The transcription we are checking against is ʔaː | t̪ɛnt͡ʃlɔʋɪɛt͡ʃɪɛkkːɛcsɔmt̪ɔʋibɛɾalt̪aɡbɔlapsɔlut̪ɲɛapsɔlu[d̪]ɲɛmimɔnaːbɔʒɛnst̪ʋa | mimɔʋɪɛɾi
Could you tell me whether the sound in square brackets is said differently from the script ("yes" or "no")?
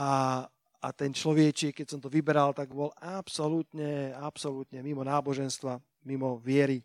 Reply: yes